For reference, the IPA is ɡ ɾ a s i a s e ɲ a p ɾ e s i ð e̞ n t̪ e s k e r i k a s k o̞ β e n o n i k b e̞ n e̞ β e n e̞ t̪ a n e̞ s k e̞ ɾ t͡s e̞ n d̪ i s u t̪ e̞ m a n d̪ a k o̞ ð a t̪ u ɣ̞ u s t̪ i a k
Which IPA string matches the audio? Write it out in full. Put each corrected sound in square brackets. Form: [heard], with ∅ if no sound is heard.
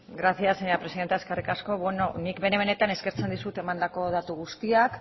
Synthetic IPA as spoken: ɡ ɾ a s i a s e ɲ a p ɾ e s i ð e̞ n t̪ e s k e r i k a s k o̞ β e n o n i k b e̞ n e̞ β e n e̞ t̪ a n e̞ s k e̞ ɾ t͡s e̞ n d̪ i s u t̪ e̞ m a n d̪ a k o̞ ð a t̪ u ɣ̞ u s t̪ i a k